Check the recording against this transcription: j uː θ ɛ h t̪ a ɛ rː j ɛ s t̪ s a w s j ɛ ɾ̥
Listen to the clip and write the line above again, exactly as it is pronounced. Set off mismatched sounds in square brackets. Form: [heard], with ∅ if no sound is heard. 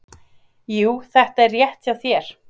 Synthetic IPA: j uː θ ɛ h t̪ a ɛ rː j ɛ [h] t̪ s a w [θ] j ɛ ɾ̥